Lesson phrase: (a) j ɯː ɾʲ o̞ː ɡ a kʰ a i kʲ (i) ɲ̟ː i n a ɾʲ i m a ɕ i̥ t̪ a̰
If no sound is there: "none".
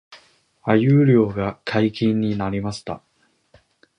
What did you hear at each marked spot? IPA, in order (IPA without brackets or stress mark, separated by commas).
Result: a, ĩ